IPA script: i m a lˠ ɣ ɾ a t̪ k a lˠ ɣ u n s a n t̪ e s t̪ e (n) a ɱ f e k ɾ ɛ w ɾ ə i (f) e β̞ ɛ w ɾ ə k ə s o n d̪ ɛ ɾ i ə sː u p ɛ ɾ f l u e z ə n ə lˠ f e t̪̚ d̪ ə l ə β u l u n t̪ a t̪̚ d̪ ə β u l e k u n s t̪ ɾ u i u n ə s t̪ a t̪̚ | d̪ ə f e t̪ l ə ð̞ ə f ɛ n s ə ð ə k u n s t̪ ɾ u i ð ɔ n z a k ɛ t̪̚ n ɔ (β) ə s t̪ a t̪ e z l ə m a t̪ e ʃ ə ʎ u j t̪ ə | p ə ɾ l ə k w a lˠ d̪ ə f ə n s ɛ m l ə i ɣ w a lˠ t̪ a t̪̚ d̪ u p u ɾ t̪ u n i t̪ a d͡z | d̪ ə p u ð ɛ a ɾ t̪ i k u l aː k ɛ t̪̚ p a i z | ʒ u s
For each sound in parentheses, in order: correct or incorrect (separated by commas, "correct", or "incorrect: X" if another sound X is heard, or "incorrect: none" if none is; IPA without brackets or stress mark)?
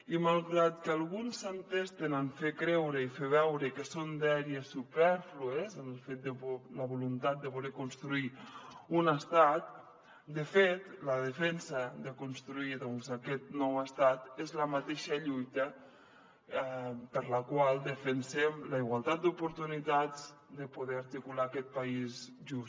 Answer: correct, correct, incorrect: w